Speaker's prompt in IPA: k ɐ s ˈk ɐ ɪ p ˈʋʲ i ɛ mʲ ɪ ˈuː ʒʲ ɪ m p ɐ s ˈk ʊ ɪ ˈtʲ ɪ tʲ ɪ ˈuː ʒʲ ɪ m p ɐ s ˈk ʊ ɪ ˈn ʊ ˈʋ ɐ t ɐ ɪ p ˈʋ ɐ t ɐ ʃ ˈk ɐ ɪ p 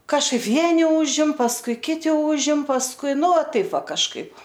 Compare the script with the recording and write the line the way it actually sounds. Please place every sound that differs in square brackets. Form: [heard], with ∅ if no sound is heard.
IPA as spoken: k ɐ [ʃ] ˈk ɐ ɪ p ˈʋʲ i ɛ [nʲ] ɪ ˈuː ʒʲ ɪ m p ɐ s ˈk ʊ ɪ [ˈkʲ] ɪ tʲ ɪ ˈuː ʒʲ ɪ m p ɐ s ˈk ʊ ɪ ˈn ʊ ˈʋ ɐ t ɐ ɪ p ˈʋ ɐ [k] ɐ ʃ ˈk ɐ ɪ p